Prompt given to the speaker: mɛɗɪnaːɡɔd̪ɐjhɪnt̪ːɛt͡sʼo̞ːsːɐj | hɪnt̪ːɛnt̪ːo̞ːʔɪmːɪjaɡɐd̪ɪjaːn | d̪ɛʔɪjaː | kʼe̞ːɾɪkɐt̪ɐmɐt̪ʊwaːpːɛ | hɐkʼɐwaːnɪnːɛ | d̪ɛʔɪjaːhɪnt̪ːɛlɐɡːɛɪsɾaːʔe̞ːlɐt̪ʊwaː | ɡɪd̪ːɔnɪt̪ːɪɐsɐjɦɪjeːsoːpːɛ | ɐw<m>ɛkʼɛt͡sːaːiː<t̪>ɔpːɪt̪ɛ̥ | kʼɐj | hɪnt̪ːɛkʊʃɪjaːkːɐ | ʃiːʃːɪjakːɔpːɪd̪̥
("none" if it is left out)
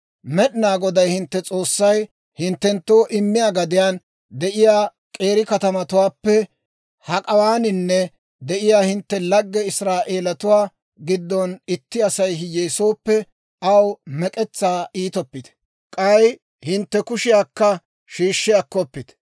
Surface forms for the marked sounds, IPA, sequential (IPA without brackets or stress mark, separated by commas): m, t̪